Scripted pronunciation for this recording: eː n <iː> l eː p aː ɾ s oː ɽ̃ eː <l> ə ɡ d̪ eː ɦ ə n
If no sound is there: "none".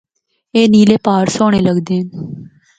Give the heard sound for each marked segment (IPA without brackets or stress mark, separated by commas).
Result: iː, l